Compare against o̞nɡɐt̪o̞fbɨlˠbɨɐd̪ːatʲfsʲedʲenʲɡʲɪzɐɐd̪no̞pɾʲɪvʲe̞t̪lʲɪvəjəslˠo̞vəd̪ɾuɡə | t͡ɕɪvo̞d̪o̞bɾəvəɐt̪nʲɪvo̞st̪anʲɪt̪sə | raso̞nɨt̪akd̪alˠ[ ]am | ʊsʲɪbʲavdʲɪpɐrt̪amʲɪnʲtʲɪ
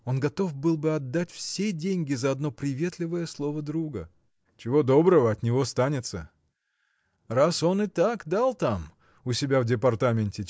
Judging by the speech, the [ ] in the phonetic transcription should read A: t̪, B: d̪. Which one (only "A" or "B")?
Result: A